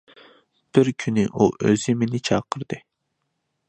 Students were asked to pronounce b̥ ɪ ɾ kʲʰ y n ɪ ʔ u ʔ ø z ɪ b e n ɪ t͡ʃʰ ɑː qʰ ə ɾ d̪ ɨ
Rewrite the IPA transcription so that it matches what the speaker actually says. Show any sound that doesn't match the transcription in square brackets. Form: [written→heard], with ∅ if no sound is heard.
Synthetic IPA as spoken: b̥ ɪ ɾ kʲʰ y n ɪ ʔ u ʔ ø z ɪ [b→m] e n ɪ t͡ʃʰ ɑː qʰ ə ɾ d̪ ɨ